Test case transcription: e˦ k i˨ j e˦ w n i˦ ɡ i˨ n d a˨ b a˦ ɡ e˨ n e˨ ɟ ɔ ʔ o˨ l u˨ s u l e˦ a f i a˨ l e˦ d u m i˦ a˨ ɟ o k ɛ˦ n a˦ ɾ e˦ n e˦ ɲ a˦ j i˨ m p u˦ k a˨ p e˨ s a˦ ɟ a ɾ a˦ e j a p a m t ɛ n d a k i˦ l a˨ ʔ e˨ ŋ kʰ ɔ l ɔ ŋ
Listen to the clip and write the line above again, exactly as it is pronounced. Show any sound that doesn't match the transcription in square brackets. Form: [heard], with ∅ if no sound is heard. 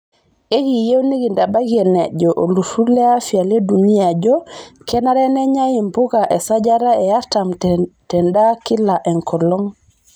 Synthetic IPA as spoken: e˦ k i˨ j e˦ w n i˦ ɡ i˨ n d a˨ b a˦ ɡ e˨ n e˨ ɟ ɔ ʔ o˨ l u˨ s u l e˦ a f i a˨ l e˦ d u [n] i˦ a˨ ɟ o k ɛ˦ n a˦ ɾ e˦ n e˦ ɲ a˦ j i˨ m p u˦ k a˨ [ʔ] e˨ s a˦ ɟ a ɾ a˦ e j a [t] a m t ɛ n d a k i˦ l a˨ ʔ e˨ ŋ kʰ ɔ l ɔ ŋ